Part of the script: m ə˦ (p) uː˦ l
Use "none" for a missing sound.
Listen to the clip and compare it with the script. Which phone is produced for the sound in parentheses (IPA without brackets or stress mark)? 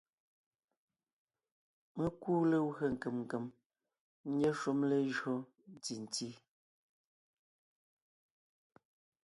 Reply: k